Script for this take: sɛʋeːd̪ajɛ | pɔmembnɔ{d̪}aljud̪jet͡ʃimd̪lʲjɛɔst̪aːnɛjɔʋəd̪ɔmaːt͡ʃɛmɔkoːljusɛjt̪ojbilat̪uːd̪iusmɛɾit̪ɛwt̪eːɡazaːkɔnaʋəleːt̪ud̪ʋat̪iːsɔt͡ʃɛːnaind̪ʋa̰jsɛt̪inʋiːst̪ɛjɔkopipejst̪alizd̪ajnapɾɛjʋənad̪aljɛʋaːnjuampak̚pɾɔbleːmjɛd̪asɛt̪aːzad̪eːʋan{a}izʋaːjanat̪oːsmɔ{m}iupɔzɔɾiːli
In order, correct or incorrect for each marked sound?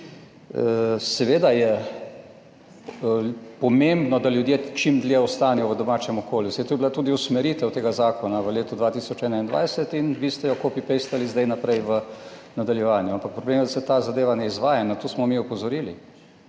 correct, incorrect, correct

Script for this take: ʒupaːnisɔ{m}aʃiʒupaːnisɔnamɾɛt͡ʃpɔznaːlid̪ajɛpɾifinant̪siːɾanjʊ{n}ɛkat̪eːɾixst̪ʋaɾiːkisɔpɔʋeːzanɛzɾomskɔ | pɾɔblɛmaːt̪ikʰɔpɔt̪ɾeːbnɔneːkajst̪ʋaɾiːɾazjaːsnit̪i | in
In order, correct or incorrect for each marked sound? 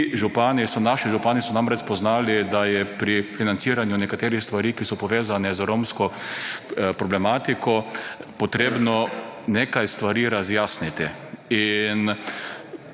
incorrect, correct

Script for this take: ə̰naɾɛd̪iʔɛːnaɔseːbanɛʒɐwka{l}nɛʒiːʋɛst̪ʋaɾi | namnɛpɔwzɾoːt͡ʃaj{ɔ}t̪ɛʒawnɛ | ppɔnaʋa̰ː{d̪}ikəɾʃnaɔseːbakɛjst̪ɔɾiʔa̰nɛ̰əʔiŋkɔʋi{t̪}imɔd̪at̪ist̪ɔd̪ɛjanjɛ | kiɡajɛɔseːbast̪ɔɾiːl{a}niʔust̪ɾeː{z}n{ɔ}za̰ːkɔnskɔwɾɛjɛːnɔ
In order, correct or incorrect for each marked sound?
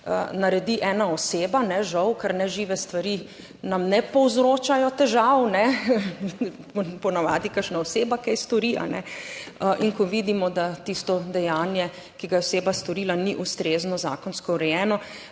incorrect, correct, correct, incorrect, correct, correct, correct

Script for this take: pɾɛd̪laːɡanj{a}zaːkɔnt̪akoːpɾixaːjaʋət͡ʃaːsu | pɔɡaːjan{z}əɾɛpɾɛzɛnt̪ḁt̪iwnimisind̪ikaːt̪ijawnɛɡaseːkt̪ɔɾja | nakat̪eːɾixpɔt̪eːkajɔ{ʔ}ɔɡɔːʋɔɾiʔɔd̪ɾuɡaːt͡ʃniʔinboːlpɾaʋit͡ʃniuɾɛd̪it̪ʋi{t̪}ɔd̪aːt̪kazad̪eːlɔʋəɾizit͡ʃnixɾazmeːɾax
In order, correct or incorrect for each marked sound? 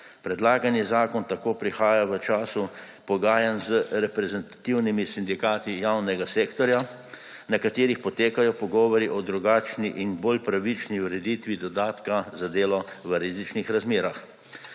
incorrect, correct, incorrect, incorrect

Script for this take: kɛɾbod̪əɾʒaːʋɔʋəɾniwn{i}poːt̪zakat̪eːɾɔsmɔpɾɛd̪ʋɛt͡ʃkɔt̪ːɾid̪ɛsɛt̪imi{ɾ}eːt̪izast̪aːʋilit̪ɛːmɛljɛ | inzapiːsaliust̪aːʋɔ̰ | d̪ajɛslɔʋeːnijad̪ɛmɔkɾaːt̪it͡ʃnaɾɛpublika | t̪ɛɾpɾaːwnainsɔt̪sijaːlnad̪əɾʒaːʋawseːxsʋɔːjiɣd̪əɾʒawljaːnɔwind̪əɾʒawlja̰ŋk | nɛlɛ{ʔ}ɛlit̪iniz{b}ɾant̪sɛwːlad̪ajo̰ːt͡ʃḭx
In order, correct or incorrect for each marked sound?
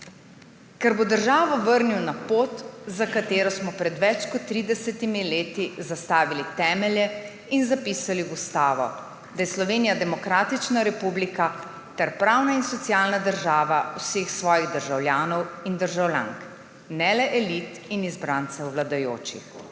incorrect, incorrect, correct, correct

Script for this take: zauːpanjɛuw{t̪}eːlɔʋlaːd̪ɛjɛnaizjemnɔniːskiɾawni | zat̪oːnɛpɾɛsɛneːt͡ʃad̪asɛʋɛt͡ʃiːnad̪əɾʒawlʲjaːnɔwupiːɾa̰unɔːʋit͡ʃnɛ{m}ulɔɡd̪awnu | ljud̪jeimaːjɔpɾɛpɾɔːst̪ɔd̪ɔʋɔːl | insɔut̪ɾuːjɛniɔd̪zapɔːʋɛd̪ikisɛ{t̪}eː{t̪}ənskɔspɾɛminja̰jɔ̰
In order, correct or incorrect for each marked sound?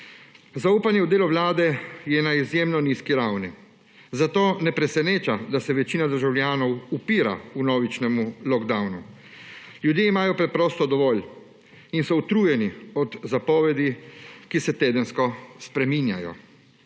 incorrect, correct, correct, incorrect

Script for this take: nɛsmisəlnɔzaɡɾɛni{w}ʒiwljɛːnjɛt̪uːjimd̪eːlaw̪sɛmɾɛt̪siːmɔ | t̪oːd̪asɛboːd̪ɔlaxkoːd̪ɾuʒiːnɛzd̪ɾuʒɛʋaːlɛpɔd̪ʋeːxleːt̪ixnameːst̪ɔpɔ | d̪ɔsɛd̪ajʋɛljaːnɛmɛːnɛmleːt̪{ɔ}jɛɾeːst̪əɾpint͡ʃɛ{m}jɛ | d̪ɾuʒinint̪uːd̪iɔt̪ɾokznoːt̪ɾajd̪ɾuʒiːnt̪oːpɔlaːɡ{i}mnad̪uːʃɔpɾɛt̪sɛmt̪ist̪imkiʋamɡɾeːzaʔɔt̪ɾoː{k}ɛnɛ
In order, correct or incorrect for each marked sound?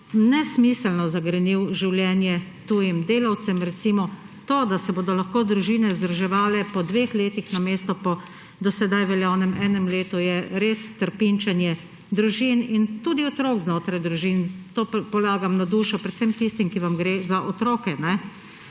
correct, incorrect, incorrect, incorrect, correct

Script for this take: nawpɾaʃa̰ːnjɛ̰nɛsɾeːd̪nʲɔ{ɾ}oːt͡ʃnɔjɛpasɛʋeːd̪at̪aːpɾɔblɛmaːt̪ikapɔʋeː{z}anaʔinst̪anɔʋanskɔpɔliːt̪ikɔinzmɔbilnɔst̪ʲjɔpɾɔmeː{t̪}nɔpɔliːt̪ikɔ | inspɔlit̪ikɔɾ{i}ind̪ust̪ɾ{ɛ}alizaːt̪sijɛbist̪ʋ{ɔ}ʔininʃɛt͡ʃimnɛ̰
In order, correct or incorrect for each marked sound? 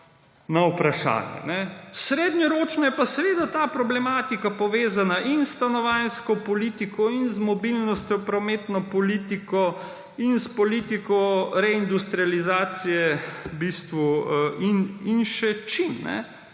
correct, correct, correct, incorrect, incorrect, incorrect

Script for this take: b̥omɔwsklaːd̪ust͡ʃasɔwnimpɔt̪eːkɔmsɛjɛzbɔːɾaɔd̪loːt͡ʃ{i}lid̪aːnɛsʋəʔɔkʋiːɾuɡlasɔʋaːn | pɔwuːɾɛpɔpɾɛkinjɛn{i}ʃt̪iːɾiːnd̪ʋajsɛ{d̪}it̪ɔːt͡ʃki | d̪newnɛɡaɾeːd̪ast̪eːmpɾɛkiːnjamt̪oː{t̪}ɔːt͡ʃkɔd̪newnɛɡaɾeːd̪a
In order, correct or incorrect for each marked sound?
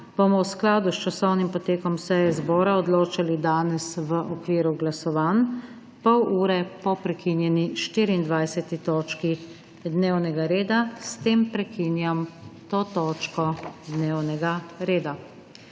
incorrect, correct, incorrect, correct

